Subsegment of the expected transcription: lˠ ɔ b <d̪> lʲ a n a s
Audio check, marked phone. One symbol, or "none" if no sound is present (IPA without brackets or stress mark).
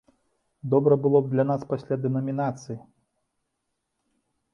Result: d̪